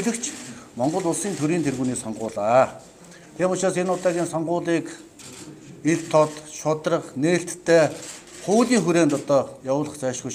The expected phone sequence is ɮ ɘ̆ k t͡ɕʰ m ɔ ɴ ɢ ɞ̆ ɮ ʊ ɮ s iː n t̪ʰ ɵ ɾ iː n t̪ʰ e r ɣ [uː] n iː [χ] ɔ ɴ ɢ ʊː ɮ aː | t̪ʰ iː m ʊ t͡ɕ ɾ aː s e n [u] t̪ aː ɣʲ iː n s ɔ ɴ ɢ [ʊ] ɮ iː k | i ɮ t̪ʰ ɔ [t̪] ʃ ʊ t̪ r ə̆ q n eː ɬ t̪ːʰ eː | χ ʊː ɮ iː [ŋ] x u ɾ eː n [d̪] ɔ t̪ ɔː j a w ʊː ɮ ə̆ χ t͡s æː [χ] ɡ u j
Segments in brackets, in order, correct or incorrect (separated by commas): correct, incorrect, incorrect, incorrect, correct, correct, incorrect, incorrect